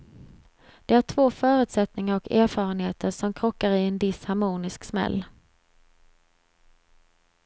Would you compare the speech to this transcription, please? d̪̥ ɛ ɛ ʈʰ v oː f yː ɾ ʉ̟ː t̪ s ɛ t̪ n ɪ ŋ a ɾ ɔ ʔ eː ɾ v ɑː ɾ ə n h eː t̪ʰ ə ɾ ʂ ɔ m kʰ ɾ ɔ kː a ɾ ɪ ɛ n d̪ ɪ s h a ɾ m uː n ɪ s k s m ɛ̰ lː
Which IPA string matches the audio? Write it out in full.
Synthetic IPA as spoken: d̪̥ ɛ æ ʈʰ v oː f œː ɾ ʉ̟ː t̪ s ɛ t̪ n ɪ ŋ a ɾ ɔ k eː ɾ f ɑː ɾ ə n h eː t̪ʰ ə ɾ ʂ ɔ m kʰ ɾ ɔ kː a ɾ ɪ ɛ n d̪ ɪ s h a ɾ m uː n ɪ s k s m ɛ̰ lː